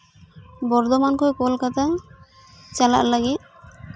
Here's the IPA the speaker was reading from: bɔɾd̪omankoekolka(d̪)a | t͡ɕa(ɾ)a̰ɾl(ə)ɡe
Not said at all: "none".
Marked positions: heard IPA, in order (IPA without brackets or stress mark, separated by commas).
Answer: t̪, l, a